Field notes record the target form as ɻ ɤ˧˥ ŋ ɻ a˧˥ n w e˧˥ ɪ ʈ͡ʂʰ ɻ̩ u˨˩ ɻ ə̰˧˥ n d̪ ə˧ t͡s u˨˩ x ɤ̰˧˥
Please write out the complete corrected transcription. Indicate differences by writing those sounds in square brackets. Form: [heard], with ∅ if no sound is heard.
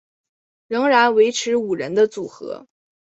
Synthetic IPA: ɻ ɤ˧˥ ŋ ɻ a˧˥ n w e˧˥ ɪ ʈ͡ʂʰ ɻ̩ u˨˩ ɻ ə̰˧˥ n d̪ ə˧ t͡s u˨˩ x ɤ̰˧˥